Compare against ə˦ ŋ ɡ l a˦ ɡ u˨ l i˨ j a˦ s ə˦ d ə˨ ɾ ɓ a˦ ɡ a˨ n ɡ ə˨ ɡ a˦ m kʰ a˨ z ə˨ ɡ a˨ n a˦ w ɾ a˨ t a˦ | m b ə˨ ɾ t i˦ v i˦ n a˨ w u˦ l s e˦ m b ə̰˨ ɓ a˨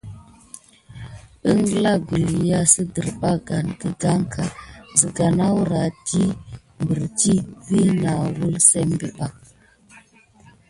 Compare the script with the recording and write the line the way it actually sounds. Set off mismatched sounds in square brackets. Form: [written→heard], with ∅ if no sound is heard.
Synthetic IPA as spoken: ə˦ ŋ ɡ l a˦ ɡ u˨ l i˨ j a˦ s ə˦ d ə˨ ɾ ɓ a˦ ɡ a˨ n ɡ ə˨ ɡ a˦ [m→ŋ] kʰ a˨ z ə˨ ɡ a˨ n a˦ w ɾ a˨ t [a˦→i˦] | m b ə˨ ɾ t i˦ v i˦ n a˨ w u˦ l s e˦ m b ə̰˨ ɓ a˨